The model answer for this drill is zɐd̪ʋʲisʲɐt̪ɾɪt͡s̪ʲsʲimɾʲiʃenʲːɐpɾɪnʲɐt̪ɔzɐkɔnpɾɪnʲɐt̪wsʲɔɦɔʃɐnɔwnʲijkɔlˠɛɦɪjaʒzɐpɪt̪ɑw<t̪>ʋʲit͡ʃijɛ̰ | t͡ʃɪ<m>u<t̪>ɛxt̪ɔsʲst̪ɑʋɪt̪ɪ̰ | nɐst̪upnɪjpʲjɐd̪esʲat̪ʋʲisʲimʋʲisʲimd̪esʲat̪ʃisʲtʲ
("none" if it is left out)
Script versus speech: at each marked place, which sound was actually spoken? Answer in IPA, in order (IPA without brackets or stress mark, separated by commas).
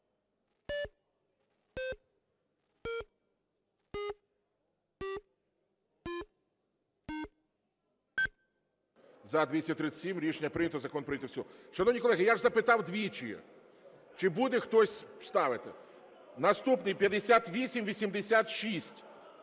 d̪, b, d̪